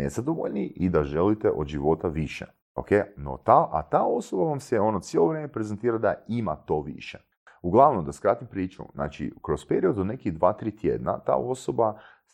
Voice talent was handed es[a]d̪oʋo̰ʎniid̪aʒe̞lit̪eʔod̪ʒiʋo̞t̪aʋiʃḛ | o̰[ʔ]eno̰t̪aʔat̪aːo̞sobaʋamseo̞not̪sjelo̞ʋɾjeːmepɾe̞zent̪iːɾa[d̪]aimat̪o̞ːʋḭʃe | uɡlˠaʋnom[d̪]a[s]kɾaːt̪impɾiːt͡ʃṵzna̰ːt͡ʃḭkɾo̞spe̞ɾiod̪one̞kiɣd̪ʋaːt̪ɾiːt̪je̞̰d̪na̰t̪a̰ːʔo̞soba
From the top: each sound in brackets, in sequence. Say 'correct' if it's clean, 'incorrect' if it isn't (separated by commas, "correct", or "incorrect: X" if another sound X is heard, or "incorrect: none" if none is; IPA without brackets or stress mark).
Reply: correct, incorrect: k, correct, correct, correct